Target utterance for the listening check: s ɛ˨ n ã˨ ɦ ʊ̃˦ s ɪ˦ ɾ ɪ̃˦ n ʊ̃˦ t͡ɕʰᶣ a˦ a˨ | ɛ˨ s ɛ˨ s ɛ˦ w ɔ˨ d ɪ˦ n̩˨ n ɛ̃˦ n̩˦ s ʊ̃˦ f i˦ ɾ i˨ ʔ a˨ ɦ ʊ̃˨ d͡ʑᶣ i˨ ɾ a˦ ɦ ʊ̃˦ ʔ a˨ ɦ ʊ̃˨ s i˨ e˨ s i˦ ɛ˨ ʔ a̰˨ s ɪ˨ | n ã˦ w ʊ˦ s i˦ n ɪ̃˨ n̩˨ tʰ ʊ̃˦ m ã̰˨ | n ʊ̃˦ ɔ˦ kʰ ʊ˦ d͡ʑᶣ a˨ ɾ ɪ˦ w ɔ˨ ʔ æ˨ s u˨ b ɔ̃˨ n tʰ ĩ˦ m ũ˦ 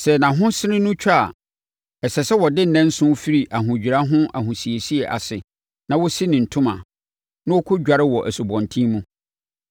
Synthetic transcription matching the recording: s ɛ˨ n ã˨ ɦ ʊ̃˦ s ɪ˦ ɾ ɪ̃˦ n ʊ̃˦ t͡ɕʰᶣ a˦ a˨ | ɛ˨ s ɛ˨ s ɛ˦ w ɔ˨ d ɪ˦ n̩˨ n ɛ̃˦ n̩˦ s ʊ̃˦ f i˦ ɾ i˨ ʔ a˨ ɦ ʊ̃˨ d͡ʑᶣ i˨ ɾ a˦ ɦ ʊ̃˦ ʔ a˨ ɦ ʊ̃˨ s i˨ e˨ s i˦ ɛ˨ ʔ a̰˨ s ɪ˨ | n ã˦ w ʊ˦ s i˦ n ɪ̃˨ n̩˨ tʰ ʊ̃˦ m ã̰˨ | n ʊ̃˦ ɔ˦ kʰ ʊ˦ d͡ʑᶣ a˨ ɾ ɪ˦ w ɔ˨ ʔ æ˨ s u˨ b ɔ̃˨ n tʰ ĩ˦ m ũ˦